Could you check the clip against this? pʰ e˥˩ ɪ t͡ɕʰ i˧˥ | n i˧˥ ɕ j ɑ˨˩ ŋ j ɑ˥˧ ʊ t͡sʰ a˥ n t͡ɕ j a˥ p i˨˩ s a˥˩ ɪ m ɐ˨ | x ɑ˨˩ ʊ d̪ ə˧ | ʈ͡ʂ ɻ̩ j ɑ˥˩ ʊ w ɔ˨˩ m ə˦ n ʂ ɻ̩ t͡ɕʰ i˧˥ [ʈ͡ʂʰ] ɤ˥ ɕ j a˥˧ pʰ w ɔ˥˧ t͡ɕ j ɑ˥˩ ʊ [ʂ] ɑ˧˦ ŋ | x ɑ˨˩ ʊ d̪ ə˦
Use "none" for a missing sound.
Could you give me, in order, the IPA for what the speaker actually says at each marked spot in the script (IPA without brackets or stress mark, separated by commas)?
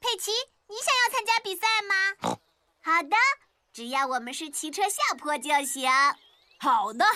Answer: ʈ͡ʂʰ, ɕ